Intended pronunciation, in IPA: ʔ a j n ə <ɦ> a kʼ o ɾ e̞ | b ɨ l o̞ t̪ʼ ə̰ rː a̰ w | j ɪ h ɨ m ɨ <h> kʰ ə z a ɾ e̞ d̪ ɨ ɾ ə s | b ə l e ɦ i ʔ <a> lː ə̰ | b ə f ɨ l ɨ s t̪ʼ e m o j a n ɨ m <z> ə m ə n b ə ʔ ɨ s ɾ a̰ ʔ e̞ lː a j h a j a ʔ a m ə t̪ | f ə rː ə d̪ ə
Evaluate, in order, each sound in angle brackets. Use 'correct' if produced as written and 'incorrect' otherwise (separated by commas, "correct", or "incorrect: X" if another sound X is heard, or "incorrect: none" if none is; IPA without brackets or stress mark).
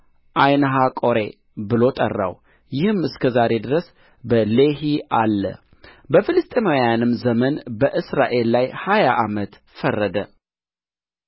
correct, incorrect: s, correct, correct